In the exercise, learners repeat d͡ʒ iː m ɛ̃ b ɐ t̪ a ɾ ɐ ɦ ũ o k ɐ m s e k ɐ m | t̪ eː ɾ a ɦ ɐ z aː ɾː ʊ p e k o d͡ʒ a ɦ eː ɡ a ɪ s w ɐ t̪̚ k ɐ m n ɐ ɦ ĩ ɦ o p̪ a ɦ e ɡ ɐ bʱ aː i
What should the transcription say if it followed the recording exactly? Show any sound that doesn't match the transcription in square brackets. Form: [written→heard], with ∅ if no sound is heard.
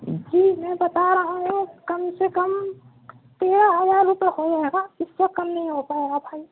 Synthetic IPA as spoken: d͡ʒ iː m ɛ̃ b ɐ t̪ a ɾ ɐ ɦ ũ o k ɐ m s e k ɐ m | t̪ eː ɾ a ɦ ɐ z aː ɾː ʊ p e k o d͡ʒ a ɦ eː ɡ a ɪ s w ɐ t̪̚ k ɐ m n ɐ ɦ ĩ ɦ o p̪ a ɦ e ɡ [ɐ→a] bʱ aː i